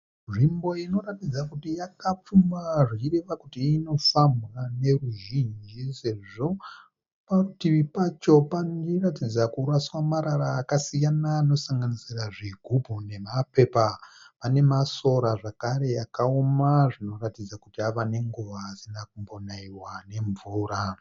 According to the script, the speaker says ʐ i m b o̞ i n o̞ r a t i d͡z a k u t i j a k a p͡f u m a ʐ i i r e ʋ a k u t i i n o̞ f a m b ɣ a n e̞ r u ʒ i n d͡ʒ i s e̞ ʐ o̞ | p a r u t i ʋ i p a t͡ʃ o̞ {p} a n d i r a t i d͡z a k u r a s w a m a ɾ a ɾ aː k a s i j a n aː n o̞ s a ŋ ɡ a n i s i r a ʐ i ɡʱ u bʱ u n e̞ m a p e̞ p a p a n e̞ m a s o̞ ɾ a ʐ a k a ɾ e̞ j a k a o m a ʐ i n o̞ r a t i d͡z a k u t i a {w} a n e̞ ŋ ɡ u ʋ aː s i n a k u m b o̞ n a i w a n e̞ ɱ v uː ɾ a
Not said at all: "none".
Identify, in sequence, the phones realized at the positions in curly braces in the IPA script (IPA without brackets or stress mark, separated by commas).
p, ʋ